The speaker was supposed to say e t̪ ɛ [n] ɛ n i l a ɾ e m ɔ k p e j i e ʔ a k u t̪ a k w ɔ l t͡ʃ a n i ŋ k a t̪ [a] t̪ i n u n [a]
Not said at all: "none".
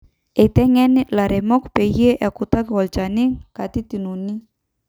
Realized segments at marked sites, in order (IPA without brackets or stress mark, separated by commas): ŋ, i, i